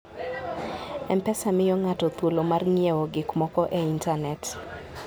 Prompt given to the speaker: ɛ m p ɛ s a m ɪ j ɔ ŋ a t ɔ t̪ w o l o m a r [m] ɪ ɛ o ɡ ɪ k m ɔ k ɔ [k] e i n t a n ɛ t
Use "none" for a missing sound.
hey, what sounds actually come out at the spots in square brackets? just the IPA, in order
ŋ, ʔ

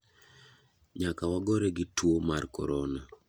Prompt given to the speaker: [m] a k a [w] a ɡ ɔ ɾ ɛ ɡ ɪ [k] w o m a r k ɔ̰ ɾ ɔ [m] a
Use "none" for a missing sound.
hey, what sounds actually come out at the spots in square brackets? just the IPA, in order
ɲ, w, t, n

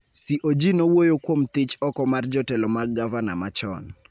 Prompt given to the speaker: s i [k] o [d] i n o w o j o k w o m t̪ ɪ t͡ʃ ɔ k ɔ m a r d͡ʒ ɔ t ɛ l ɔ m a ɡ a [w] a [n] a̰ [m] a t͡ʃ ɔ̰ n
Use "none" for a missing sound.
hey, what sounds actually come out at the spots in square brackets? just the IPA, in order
ʔ, d͡ʒ, v, n, m

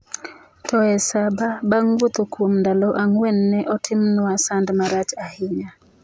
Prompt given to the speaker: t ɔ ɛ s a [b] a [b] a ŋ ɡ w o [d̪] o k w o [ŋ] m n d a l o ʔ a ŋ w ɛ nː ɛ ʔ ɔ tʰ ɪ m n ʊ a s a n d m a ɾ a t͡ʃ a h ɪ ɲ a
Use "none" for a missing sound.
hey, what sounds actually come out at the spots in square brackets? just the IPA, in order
b, b, t̪, none

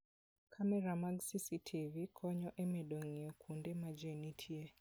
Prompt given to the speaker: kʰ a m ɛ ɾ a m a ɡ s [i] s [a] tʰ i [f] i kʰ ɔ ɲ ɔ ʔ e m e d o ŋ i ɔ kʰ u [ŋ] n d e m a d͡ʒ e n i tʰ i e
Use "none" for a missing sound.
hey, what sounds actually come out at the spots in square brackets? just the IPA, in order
i, i, v, none

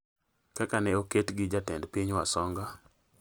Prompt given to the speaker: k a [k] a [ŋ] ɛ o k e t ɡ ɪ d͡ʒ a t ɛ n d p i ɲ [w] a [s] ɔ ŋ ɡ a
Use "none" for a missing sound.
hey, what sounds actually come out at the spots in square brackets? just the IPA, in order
k, n, w, s

